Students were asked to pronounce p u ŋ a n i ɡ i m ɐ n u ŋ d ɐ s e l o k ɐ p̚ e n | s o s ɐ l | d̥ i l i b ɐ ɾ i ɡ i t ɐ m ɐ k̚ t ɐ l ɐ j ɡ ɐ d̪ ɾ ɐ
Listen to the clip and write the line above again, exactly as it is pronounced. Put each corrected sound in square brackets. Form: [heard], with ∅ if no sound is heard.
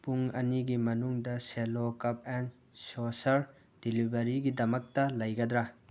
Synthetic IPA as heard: p u ŋ [ɐ] n i ɡ i m ɐ n u ŋ d ɐ s e l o k ɐ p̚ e n | s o s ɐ [ɾ] | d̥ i l i b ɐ ɾ i ɡ i [d] ɐ m ɐ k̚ t ɐ l ɐ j ɡ ɐ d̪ ɾ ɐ